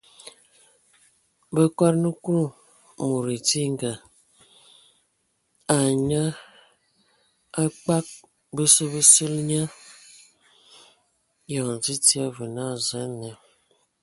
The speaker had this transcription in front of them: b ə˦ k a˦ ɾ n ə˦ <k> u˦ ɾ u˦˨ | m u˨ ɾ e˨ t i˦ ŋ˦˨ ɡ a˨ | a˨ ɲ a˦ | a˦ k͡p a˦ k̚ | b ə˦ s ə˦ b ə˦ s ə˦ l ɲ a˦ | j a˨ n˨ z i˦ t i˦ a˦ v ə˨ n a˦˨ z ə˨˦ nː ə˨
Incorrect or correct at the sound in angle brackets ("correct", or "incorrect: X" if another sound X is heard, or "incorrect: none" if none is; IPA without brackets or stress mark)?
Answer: correct